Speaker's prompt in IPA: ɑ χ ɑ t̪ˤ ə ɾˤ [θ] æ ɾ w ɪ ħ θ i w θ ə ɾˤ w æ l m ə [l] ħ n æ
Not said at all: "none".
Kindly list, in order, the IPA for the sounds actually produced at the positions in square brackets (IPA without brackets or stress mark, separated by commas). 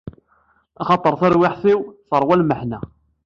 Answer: θ, none